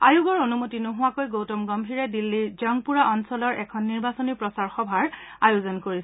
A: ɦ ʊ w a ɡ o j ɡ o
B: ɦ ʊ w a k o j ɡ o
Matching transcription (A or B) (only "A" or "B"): B